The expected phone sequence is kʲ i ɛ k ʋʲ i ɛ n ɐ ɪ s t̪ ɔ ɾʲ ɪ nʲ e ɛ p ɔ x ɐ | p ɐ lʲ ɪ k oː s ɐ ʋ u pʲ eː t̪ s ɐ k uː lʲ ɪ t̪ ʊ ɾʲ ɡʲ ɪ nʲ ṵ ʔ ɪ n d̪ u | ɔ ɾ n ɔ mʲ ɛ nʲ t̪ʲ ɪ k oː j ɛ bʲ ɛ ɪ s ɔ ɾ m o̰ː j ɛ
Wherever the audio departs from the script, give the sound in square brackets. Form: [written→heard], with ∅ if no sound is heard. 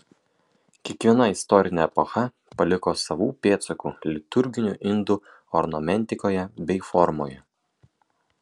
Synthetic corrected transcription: kʲ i ɛ k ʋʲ i ɛ n ɐ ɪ s t̪ ɔ ɾʲ ɪ nʲ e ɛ p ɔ x ɐ | p ɐ lʲ ɪ k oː s ɐ ʋ [u→uː] pʲ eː t̪ s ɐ k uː lʲ ɪ t̪ ʊ ɾʲ ɡʲ ɪ nʲ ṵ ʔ ɪ n d̪ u | ɔ ɾ n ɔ mʲ ɛ nʲ t̪ʲ ɪ k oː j ɛ bʲ ɛ ɪ [s→f] ɔ ɾ m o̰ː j ɛ